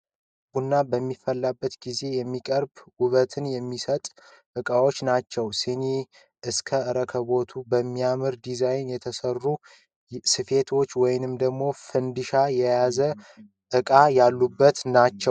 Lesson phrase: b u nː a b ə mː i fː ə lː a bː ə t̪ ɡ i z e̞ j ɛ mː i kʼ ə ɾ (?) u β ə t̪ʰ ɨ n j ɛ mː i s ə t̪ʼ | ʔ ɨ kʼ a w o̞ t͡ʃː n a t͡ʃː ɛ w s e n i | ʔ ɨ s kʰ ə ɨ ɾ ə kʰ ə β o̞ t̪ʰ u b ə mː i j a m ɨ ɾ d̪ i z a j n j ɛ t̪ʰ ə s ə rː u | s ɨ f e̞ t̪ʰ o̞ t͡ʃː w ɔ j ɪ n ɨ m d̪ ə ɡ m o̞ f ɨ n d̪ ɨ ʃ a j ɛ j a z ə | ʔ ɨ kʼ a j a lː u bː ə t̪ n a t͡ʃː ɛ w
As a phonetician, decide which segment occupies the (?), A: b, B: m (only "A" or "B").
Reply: A